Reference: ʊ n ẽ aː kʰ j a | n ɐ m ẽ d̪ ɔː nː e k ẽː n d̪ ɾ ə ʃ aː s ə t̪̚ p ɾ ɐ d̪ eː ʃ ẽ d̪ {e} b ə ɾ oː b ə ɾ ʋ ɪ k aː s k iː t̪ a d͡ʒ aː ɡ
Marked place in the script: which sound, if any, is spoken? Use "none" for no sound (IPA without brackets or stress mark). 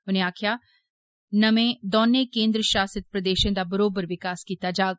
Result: a